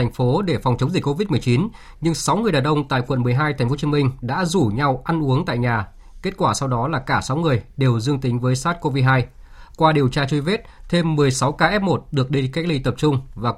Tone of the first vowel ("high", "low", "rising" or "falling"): rising